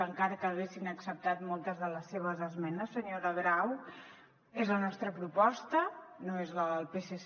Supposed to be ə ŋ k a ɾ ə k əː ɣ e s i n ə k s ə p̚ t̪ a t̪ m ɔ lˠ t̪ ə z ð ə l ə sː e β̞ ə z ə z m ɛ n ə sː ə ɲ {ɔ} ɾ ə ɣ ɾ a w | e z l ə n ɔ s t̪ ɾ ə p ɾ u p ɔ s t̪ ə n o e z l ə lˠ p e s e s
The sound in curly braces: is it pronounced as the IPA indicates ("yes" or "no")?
no